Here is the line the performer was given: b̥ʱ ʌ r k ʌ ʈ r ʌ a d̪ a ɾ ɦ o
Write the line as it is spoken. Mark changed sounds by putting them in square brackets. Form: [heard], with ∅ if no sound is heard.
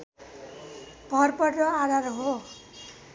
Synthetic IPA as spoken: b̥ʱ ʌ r [p] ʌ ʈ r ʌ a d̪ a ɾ ɦ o